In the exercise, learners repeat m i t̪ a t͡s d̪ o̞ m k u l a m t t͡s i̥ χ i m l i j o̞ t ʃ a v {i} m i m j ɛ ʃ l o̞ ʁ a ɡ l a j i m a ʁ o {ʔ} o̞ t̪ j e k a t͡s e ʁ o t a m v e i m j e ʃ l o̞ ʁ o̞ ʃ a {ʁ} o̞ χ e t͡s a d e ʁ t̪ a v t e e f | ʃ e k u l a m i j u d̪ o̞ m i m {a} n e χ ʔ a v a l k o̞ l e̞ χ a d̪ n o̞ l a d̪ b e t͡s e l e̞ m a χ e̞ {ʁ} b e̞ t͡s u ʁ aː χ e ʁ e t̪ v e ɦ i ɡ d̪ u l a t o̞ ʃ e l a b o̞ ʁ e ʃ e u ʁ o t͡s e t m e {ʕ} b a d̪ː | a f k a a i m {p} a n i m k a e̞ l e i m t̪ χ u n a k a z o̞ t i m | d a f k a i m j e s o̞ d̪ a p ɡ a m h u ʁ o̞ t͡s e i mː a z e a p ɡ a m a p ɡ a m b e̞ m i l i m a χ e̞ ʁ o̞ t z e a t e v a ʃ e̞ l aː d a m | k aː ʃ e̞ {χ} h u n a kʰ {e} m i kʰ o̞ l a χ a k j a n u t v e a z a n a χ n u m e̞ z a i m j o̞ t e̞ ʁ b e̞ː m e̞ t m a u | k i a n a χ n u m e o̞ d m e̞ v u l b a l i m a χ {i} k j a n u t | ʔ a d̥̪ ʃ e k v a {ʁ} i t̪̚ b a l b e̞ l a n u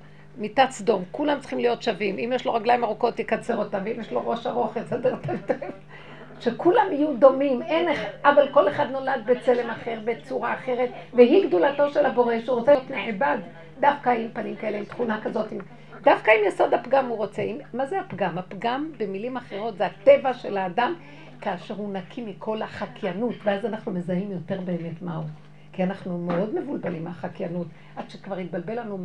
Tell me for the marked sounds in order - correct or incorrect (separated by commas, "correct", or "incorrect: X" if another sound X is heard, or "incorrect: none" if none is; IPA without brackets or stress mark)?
correct, incorrect: k, correct, incorrect: e, correct, correct, correct, incorrect: ʁ, incorrect: i, incorrect: a, correct